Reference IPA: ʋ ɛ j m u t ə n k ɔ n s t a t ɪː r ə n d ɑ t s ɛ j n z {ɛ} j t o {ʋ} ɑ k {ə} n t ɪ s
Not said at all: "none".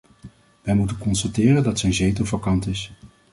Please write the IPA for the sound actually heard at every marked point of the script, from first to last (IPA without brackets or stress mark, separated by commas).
e, v, ɑ